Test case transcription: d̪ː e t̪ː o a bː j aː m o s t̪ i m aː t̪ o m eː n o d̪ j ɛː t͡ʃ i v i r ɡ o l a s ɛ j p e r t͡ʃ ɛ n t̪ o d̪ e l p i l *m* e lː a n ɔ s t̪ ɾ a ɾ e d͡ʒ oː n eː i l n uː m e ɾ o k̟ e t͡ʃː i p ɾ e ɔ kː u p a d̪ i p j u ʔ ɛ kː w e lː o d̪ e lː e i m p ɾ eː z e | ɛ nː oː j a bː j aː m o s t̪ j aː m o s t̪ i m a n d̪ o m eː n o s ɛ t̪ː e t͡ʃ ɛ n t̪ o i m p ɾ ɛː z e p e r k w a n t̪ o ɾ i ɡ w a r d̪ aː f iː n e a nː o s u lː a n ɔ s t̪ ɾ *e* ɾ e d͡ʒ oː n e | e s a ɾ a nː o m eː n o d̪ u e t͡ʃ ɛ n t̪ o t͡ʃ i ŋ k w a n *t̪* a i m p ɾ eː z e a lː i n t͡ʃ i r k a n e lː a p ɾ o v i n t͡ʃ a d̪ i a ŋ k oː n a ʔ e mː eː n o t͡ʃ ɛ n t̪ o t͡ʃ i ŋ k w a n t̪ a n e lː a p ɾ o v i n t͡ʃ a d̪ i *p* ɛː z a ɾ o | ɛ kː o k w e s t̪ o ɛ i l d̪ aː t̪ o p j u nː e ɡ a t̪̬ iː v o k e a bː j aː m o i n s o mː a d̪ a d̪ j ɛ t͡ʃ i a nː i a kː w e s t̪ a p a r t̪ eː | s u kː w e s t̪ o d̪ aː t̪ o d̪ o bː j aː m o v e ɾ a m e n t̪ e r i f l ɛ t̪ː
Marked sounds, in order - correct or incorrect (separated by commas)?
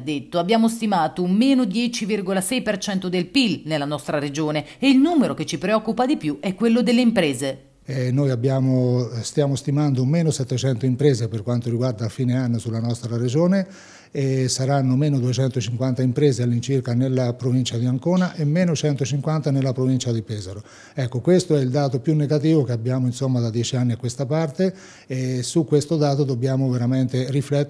incorrect, incorrect, correct, correct